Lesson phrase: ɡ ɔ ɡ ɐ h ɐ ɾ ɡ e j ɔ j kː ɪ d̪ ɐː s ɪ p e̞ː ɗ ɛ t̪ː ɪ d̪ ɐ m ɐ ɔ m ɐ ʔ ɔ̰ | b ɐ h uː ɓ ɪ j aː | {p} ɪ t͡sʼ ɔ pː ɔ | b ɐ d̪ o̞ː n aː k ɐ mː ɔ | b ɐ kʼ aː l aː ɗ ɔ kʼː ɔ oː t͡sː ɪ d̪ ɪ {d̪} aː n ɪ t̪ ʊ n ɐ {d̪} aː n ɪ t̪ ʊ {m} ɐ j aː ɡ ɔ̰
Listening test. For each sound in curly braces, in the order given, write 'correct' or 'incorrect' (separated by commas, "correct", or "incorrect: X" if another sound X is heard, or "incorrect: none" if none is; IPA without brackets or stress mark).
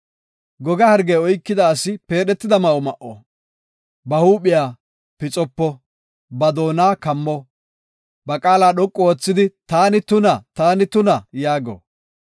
correct, incorrect: t̪, incorrect: t̪, incorrect: n